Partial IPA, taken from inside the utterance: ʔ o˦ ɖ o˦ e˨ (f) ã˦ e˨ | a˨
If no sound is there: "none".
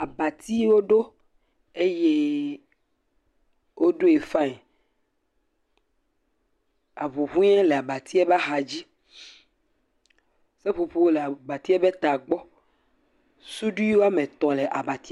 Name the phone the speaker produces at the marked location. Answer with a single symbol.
f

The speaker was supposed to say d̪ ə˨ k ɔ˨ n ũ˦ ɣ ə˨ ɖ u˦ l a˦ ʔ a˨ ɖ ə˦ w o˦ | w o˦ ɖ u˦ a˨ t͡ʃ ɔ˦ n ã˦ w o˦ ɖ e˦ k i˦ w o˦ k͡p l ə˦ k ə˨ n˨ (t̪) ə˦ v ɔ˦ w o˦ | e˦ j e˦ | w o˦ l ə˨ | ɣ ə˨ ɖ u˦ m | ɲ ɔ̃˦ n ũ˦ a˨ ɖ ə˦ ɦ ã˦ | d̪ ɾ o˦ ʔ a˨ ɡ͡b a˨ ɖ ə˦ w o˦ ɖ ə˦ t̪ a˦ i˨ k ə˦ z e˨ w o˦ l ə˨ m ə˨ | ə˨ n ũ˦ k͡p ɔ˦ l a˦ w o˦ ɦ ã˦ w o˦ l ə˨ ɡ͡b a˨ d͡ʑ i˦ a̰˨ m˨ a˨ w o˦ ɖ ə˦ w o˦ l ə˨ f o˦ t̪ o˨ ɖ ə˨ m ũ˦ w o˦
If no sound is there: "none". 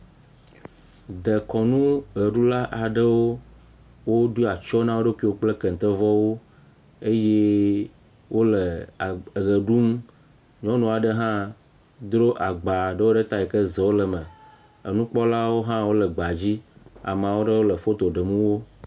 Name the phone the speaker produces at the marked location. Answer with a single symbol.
t̪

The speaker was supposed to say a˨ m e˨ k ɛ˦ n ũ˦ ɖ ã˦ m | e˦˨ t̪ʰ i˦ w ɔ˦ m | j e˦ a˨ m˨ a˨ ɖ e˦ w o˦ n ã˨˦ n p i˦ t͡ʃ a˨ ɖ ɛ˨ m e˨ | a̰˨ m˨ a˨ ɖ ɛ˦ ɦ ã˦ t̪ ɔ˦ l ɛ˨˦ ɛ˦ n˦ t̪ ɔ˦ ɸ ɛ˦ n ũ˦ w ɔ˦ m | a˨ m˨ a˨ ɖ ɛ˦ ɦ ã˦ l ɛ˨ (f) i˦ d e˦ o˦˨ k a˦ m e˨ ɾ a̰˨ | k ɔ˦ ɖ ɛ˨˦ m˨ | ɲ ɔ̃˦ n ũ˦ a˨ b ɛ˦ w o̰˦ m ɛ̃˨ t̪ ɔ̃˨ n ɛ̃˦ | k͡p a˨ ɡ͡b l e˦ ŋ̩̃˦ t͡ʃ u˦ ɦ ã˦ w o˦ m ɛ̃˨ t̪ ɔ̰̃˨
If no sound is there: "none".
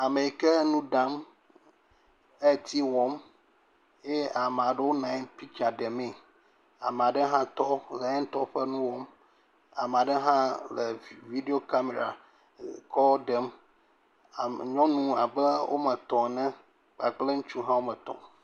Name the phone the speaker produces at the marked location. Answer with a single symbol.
v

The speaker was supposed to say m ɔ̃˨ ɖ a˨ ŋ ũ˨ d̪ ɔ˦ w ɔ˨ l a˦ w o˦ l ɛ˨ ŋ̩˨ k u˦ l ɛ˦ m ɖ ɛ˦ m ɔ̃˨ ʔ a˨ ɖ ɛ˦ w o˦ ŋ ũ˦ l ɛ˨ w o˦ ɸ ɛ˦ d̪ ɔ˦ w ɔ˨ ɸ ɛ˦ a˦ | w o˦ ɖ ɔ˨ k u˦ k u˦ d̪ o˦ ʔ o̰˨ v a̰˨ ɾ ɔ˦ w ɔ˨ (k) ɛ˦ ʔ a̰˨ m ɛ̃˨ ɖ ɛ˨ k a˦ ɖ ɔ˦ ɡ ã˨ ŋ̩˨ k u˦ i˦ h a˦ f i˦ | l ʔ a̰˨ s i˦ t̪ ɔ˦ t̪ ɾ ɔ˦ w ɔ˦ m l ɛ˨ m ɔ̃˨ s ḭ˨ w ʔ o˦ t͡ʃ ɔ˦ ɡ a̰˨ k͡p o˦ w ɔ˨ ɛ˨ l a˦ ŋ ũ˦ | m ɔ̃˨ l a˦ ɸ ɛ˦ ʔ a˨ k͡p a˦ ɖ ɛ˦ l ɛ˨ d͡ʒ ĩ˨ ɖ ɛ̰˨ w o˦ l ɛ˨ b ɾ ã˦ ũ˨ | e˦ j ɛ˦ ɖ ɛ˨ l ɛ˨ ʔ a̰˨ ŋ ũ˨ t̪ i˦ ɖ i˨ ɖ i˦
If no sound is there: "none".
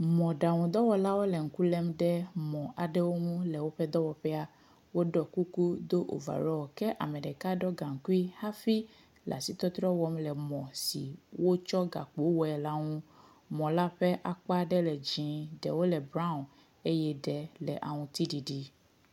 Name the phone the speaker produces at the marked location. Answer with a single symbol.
k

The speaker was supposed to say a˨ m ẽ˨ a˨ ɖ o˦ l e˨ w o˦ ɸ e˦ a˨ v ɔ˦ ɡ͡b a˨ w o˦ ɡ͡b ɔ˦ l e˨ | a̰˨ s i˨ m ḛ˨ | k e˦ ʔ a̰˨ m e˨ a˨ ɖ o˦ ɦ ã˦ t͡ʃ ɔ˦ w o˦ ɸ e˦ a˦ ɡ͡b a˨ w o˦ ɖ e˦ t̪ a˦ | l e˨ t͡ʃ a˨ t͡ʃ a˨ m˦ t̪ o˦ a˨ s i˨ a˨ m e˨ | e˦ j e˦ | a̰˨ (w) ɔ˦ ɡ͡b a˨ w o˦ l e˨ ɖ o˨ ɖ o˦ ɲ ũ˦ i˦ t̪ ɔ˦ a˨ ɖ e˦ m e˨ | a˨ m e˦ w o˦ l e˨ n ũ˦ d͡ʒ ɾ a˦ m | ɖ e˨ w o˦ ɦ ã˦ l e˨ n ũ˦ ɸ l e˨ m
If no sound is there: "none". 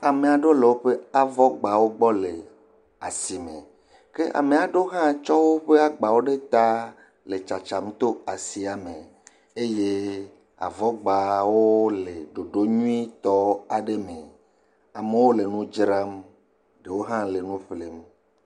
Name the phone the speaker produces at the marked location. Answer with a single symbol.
v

